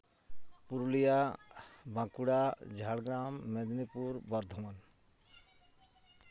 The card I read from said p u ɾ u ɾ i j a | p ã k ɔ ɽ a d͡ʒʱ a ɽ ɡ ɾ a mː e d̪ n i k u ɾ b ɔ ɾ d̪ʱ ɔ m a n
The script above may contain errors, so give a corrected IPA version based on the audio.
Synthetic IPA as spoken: p u ɾ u l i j a | b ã k u ɽ a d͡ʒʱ a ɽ ɡ ɾ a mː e d̪ n i p u ɾ b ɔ ɾ d̪ʱ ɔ m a n